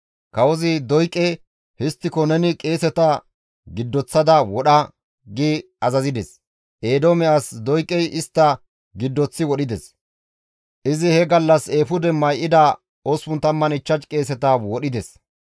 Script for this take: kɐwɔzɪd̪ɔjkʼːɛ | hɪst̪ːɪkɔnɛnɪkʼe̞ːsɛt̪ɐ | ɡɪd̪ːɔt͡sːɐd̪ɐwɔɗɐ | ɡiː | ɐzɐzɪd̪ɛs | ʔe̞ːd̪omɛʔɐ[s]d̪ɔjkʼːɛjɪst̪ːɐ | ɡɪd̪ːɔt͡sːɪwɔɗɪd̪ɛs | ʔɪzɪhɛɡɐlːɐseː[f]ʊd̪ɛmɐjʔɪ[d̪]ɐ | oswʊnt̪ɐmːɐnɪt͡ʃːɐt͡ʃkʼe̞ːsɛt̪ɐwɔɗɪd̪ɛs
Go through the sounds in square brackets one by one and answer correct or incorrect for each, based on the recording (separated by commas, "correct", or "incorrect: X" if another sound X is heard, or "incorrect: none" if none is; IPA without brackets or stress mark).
correct, correct, correct